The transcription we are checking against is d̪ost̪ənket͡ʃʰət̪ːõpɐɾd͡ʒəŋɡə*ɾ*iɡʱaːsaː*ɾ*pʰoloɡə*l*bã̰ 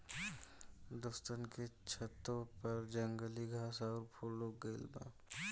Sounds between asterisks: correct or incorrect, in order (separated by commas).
incorrect, correct, correct